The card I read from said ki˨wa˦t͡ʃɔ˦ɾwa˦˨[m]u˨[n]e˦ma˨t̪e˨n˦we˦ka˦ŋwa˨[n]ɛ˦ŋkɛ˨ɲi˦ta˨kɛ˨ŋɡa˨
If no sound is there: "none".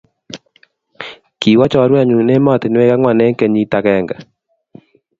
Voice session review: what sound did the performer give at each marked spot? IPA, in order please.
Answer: ɲ, n, n

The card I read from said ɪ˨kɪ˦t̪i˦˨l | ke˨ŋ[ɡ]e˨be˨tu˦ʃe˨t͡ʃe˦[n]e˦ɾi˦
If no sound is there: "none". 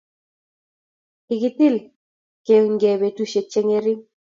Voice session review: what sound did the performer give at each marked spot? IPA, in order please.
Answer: ɡ, ŋ

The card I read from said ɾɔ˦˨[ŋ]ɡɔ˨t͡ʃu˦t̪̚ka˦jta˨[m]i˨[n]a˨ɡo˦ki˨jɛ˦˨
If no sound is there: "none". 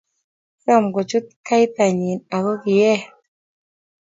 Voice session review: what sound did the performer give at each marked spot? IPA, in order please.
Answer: m, ɲ, n

